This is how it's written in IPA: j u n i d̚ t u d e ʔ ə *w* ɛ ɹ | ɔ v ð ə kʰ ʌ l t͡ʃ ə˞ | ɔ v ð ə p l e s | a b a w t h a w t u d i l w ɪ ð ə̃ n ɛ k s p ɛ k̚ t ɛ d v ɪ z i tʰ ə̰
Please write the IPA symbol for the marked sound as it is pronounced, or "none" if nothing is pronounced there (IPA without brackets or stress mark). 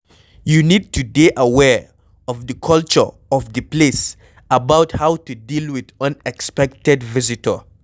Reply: w